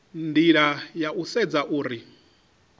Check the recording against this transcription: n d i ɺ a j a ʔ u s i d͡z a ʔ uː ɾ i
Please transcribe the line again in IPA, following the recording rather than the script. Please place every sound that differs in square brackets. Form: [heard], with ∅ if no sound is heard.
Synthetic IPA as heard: n d i ɺ a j a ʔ u s [ɛ] d͡z a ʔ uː ɾ i